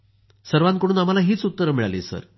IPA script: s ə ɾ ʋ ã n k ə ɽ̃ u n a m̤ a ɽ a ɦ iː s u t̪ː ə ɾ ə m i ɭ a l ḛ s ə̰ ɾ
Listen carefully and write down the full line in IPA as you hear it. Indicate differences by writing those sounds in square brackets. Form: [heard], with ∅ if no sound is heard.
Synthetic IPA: s ə ɾ ʋ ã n k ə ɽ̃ [uː] n a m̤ a [l] a ɦ iː [t͡s] u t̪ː ə ɾ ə m i ɭ a l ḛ s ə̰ ɾ